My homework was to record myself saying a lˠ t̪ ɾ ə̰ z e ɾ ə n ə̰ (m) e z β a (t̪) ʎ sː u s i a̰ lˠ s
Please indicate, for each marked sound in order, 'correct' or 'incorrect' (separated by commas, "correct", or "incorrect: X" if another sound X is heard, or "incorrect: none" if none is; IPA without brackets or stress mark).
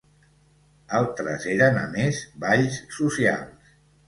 correct, incorrect: none